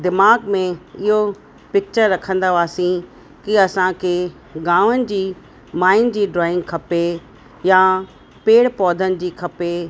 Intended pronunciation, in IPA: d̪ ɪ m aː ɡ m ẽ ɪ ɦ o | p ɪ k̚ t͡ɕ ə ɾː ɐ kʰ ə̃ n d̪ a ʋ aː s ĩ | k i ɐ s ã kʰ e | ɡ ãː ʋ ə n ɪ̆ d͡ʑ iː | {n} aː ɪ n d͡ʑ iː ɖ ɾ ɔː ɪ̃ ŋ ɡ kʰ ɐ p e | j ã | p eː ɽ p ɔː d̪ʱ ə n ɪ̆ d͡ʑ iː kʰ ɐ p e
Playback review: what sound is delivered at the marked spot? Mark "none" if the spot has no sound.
m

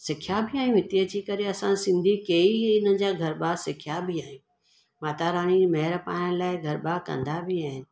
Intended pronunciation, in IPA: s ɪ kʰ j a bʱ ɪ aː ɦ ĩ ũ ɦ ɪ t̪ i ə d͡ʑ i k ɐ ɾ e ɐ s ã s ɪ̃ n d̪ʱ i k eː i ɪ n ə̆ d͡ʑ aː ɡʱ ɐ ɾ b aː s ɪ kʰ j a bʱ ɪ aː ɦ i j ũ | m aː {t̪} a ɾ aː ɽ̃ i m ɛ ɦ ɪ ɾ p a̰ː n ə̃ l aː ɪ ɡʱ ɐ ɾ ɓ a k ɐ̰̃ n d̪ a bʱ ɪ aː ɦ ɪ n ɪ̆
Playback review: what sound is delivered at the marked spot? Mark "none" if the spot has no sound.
t̪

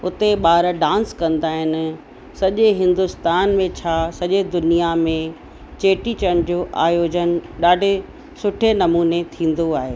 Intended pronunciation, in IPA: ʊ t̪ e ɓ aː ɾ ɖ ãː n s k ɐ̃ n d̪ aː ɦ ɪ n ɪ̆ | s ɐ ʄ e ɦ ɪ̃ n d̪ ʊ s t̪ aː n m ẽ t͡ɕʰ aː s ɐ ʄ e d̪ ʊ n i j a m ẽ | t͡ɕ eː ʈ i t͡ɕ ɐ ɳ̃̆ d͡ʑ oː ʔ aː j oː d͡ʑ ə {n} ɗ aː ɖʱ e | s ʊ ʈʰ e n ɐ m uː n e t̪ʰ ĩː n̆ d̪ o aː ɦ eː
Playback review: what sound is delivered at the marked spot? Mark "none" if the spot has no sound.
n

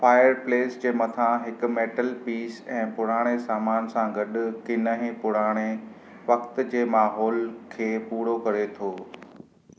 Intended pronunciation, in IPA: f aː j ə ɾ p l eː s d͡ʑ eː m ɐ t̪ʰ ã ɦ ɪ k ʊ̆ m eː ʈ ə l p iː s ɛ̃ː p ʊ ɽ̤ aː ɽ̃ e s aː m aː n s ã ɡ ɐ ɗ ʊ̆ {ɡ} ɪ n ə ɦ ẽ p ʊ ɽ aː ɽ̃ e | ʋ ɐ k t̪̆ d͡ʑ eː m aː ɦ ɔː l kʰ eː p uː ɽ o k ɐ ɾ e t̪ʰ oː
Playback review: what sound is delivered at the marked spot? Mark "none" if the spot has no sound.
k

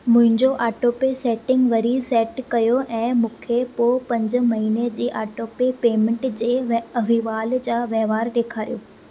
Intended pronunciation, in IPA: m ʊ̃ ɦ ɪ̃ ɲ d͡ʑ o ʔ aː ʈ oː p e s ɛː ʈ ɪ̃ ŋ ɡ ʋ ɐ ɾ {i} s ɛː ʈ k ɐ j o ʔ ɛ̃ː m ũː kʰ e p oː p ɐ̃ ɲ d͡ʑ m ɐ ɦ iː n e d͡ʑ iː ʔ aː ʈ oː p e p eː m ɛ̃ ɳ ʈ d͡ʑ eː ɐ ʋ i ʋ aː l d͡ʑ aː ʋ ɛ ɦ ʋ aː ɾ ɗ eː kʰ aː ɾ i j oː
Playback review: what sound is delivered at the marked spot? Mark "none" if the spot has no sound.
i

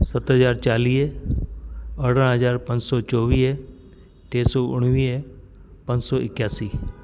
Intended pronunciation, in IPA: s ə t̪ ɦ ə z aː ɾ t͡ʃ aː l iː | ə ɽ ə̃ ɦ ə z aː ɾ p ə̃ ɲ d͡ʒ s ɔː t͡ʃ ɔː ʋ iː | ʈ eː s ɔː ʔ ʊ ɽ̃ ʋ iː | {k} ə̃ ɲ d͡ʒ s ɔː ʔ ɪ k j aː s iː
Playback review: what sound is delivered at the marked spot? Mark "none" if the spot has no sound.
p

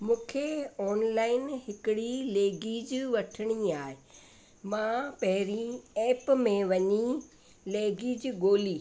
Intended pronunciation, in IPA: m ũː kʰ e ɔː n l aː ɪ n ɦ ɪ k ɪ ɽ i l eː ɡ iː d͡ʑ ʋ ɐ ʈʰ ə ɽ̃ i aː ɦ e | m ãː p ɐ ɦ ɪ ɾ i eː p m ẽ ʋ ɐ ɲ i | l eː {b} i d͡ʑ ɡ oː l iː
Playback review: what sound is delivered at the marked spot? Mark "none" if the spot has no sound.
ɡ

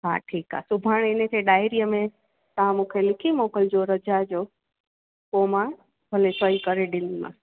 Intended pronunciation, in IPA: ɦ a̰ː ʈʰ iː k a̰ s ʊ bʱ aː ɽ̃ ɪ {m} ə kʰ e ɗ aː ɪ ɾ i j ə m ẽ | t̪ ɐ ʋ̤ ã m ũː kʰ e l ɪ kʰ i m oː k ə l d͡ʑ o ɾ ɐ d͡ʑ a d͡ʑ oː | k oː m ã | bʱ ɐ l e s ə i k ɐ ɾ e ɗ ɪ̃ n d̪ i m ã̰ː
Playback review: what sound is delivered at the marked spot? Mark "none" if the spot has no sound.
n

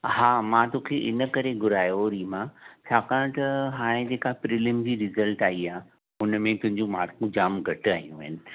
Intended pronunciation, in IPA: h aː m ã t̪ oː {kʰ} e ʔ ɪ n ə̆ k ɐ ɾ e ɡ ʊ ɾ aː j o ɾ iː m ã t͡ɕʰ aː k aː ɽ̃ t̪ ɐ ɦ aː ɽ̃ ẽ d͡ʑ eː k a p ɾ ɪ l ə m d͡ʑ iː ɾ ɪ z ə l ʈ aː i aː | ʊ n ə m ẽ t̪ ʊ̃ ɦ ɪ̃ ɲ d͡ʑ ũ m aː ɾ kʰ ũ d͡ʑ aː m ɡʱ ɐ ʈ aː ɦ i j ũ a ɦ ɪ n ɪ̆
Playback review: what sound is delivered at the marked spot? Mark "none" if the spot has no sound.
kʰ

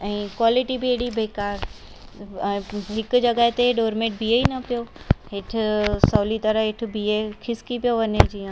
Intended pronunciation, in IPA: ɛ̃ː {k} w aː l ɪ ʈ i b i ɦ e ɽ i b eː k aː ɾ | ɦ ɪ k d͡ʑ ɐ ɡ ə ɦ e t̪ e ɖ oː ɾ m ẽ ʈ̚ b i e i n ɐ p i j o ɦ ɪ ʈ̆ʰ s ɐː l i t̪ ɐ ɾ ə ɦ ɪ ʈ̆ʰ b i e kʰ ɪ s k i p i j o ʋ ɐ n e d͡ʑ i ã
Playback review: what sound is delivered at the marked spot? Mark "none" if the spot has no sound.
k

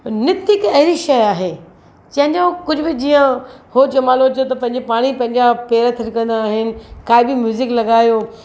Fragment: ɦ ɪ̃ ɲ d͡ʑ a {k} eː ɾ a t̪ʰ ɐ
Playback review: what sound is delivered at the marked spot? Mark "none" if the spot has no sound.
p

